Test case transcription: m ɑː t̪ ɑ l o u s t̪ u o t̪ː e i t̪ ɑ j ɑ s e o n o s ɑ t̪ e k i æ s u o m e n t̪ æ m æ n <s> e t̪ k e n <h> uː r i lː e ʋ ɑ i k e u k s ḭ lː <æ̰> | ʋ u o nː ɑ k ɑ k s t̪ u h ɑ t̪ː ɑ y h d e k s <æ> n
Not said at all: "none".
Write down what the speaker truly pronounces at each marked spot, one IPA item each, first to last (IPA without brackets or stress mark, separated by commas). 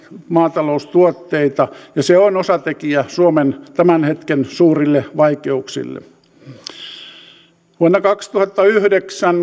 h, s, ḛ, æ